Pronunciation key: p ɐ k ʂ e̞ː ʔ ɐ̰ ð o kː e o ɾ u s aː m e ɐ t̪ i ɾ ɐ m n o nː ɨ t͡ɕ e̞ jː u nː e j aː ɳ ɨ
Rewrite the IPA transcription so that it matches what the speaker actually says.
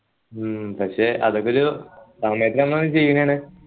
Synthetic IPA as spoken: p ɐ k ʂ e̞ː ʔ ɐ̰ ð o kː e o ɾ u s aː m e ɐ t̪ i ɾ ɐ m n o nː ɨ t͡ɕ e̞ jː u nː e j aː ɳ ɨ